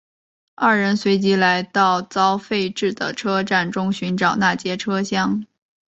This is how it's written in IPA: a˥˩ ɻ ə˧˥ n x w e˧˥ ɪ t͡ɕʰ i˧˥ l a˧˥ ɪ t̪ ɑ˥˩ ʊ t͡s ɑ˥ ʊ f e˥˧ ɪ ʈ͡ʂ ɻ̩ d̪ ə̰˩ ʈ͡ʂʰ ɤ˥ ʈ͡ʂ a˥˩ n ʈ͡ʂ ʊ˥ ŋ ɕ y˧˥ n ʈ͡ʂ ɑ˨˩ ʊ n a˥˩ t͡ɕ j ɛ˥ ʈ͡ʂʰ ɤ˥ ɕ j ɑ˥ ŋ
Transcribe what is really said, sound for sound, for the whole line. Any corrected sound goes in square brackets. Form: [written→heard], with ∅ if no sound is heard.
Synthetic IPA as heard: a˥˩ ɻ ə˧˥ n [x→s] w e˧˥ ɪ [t͡ɕʰ→t͡ɕ] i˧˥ l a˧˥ ɪ t̪ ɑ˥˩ ʊ t͡s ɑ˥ ʊ f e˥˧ ɪ ʈ͡ʂ ɻ̩ d̪ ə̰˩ ʈ͡ʂʰ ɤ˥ ʈ͡ʂ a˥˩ n ʈ͡ʂ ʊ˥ ŋ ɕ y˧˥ n ʈ͡ʂ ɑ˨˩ ʊ n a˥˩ t͡ɕ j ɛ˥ ʈ͡ʂʰ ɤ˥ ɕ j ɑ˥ ŋ